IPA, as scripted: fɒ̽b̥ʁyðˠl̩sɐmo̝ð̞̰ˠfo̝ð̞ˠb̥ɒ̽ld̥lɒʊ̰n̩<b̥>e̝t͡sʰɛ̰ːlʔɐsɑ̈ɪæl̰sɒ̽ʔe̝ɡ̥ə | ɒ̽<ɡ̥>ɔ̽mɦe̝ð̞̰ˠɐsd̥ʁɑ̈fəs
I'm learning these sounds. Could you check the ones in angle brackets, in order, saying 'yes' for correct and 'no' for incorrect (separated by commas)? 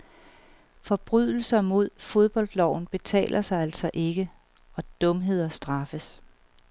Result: yes, no